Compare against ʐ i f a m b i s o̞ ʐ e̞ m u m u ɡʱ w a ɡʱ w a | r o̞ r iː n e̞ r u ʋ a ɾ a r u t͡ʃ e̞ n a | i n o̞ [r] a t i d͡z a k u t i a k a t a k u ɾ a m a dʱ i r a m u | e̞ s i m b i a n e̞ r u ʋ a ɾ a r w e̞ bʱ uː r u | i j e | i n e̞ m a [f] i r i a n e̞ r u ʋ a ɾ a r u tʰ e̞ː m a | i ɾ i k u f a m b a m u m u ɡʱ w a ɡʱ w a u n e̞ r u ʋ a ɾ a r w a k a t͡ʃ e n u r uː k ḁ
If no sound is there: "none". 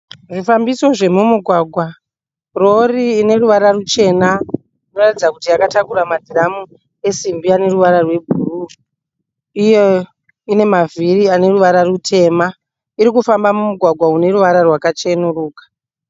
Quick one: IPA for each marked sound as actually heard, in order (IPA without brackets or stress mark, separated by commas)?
r, v